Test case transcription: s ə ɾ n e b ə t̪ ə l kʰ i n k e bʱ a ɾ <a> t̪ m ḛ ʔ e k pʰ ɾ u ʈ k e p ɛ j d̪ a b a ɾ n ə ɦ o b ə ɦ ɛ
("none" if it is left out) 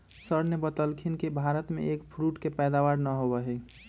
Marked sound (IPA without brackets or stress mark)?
ə